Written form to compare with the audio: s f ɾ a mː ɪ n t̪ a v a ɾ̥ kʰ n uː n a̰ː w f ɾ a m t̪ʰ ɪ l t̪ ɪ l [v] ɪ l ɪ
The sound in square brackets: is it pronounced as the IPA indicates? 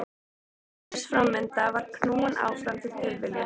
yes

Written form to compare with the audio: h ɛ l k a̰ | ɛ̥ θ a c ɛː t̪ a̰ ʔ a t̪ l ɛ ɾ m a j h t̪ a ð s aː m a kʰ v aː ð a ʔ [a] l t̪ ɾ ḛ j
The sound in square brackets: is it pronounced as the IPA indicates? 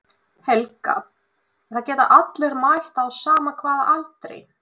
yes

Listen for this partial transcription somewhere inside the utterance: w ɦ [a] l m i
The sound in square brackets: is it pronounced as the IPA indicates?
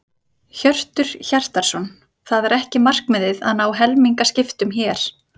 no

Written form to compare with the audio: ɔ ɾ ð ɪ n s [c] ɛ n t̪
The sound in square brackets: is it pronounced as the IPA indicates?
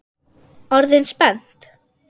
no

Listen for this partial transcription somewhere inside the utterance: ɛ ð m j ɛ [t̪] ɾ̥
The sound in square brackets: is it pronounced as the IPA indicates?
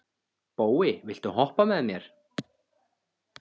no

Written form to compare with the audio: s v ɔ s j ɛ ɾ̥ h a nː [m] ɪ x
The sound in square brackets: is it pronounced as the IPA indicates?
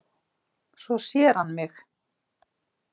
yes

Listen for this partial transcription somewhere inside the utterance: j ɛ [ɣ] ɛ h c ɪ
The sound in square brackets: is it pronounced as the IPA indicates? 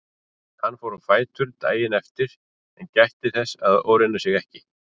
yes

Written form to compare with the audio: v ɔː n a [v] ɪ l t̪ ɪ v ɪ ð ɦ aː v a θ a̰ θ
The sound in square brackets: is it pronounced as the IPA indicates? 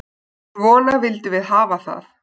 yes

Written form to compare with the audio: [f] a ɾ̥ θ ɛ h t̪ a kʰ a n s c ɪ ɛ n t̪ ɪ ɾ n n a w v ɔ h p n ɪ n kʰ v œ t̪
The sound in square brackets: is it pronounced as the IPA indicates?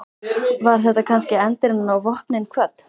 no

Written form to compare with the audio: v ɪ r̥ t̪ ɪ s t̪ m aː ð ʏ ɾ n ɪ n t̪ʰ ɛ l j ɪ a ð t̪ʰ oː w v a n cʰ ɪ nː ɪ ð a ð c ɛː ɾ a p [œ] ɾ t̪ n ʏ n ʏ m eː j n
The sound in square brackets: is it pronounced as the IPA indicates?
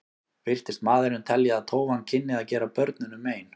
yes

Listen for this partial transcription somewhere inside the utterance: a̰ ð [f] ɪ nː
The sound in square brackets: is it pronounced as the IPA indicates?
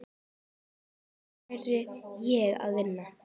no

